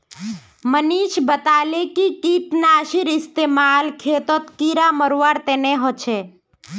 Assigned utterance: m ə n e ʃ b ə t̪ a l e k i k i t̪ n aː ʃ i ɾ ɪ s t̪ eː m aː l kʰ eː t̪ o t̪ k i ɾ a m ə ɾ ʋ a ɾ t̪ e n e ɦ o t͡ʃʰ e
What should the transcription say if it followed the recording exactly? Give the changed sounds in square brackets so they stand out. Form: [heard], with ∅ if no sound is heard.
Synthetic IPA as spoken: m ə n [i] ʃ b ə t̪ a l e k i k i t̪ n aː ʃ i ɾ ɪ s t̪ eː m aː l kʰ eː t̪ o t̪ k i ɾ a m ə ɾ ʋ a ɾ t̪ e n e ɦ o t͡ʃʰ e